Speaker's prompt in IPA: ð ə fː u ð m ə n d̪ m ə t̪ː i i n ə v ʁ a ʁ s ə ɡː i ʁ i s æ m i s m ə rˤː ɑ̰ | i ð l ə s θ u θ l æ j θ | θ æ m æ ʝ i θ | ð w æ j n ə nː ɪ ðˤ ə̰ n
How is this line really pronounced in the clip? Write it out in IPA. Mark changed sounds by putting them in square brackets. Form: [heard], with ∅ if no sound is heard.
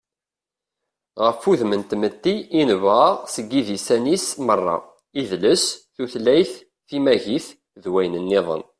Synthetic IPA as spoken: [ʁ] ə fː u ð m ə n [t̪] m ə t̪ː i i n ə v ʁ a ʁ s ə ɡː i [ð] i s æ [n] i s m ə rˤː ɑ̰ | i ð l ə s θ u θ l æ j θ | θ [i] m æ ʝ i θ | ð w æ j n ə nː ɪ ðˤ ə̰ n